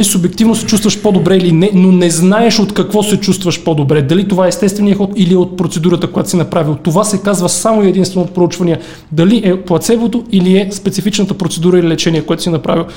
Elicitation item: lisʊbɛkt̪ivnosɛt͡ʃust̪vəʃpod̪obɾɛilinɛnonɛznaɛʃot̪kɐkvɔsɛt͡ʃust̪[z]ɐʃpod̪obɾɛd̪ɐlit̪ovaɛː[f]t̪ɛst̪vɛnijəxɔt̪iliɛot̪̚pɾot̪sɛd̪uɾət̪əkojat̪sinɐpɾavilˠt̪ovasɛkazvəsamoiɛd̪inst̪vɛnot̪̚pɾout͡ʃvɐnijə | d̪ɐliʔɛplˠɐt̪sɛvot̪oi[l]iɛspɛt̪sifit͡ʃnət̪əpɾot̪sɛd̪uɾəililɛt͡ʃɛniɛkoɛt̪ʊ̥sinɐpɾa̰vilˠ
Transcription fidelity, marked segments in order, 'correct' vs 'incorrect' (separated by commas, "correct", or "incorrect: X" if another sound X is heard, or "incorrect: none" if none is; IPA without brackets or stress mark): incorrect: v, incorrect: s, correct